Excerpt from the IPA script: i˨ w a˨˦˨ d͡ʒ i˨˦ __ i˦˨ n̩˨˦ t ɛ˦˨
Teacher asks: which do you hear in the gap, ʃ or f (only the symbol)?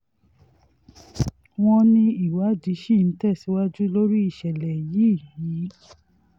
ʃ